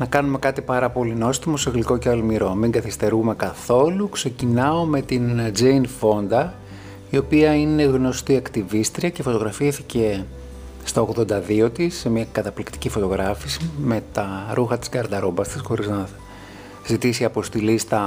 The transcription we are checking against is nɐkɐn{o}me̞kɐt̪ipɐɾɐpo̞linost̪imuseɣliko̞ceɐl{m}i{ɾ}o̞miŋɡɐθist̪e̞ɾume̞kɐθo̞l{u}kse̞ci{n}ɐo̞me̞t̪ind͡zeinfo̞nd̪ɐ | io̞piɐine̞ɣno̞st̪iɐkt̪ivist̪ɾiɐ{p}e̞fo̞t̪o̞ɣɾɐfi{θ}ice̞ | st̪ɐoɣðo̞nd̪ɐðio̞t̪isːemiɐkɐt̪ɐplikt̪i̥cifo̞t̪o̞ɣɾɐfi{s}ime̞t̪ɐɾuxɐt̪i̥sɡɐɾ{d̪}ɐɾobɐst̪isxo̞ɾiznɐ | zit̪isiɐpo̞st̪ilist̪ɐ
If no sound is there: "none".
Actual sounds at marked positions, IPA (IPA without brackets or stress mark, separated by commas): u, m, ɾ, u, n, c, θ, s, d̪